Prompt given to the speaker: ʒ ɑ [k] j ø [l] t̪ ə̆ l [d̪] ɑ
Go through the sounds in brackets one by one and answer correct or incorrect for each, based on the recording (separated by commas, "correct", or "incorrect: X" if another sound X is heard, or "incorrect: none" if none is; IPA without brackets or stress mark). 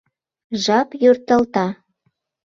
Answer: incorrect: p, incorrect: r, incorrect: t̪